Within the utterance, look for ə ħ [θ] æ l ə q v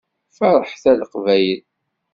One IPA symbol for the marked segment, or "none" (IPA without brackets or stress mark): θ